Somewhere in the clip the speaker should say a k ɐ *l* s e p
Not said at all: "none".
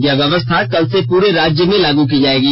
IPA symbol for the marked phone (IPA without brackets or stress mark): l